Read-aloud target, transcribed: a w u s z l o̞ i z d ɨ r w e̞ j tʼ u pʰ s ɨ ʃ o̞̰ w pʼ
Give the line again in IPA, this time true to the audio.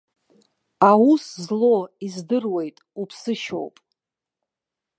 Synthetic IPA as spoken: a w u s z l o̞ i z d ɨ r w e̞ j tʼ u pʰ s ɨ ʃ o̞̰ w pʼ